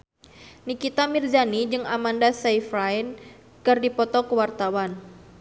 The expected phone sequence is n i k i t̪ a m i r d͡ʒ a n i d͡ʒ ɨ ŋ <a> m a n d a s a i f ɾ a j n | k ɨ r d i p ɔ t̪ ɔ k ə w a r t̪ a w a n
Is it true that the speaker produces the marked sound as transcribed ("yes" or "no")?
yes